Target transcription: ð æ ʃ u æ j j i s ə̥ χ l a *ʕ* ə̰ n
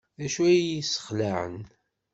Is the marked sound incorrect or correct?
correct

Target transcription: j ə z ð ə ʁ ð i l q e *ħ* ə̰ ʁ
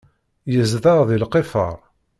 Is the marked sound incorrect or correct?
incorrect: f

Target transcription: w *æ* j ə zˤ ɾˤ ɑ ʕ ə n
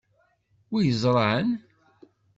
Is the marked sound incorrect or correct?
incorrect: i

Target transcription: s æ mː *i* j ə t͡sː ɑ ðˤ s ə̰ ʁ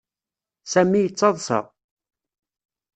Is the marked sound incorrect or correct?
correct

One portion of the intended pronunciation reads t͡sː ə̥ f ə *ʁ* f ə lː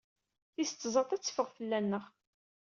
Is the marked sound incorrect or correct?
correct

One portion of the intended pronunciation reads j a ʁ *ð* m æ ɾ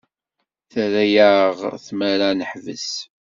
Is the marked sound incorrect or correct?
incorrect: θ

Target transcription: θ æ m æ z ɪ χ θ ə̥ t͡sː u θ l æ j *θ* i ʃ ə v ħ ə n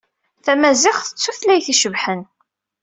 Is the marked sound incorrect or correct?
correct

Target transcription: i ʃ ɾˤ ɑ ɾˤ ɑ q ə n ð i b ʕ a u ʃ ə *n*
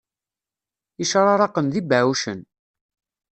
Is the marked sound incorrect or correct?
correct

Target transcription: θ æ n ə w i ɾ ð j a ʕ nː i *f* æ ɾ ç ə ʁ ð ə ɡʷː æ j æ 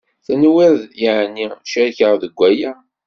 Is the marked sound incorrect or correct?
incorrect: ʃ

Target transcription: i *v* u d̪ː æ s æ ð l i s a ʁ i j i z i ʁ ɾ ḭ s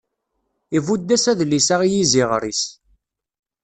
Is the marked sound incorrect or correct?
correct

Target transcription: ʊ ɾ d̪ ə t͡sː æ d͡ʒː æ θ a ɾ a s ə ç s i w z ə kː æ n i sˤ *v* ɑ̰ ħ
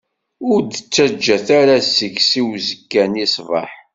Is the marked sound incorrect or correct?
correct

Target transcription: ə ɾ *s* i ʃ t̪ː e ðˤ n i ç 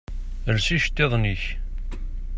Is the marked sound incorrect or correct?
correct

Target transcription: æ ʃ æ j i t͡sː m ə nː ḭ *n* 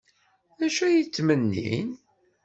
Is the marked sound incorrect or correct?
correct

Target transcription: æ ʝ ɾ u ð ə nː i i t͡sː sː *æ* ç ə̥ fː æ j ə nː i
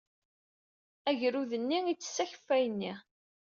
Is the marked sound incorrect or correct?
correct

